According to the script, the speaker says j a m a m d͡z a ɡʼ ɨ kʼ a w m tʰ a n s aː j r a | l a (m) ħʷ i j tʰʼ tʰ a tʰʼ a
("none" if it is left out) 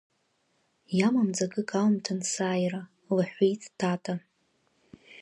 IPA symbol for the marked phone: none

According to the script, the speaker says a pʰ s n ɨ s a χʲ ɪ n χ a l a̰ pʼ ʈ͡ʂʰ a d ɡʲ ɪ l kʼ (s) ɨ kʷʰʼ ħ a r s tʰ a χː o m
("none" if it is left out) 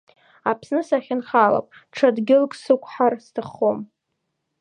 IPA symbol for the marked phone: s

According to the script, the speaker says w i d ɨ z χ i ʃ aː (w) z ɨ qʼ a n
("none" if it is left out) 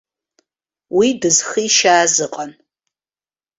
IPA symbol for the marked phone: none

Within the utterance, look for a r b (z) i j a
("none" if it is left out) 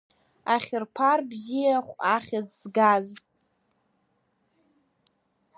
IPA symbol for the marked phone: z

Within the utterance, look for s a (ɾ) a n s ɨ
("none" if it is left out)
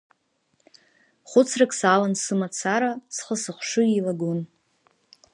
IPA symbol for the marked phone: l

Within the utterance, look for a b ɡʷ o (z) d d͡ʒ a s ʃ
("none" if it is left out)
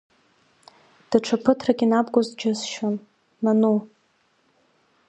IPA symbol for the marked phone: z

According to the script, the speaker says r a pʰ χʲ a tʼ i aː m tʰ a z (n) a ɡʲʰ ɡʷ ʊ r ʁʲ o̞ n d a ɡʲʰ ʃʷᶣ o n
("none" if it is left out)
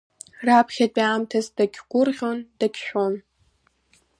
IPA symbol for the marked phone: d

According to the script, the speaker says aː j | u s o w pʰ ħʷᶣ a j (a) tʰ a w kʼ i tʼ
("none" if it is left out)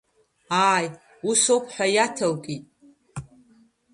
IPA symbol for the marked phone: a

